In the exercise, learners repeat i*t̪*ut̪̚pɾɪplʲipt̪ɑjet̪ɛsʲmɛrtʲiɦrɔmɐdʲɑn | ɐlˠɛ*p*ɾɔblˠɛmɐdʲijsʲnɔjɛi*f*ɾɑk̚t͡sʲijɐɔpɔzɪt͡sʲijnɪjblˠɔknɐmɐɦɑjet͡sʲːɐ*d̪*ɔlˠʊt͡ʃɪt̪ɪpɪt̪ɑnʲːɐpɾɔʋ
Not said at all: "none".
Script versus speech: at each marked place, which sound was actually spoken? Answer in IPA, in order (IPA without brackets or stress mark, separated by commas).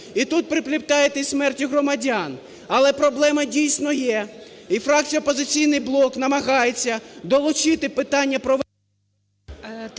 t̪, p, f, d̪